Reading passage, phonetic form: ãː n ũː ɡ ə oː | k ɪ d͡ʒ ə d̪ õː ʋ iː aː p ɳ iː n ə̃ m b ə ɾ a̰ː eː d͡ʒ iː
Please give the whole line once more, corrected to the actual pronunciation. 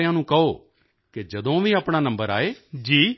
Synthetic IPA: ãː n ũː k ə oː | k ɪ d͡ʒ ə d̪ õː ʋ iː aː p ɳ aː n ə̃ m b ə ɾ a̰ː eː d͡ʒ iː